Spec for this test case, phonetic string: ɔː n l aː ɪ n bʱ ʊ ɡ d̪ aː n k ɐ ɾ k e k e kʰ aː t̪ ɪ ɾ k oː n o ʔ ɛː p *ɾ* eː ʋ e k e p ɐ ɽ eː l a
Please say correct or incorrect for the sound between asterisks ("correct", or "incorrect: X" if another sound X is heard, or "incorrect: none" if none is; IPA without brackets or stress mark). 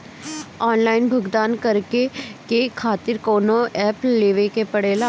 incorrect: l